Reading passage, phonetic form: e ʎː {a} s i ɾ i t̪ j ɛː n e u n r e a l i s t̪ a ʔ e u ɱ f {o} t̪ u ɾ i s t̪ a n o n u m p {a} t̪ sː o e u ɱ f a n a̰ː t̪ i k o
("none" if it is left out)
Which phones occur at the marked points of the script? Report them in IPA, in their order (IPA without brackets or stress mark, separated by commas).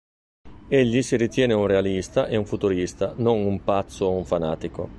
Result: i, u, a